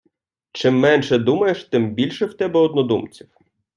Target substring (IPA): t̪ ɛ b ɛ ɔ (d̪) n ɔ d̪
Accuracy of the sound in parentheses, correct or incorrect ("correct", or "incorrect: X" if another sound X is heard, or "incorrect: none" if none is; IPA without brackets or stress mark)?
correct